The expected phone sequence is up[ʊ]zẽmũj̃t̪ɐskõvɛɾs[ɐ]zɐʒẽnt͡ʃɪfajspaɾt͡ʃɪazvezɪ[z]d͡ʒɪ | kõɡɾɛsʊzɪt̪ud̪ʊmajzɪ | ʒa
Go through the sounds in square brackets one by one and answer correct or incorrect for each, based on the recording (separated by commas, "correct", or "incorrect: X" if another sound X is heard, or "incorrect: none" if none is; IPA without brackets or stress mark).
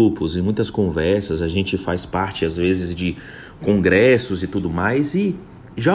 correct, correct, correct